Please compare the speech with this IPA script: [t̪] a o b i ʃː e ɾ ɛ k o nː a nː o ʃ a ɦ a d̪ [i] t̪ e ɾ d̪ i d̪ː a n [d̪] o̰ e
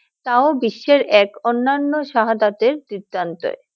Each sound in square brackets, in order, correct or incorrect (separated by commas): correct, incorrect, incorrect